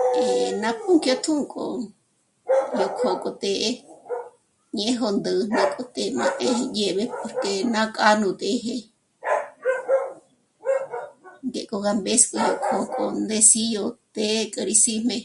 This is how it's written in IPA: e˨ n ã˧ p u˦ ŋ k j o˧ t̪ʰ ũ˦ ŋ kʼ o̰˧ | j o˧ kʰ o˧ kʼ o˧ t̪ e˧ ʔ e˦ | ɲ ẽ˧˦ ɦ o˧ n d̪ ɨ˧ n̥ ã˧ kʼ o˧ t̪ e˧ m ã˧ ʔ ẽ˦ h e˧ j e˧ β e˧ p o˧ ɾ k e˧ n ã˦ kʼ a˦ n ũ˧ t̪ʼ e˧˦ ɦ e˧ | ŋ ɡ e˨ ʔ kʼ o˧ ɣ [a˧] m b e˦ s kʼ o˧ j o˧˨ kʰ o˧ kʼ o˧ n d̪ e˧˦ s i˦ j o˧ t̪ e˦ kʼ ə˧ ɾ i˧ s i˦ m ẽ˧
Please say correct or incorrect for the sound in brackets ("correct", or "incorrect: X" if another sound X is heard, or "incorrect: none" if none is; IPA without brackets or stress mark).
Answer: correct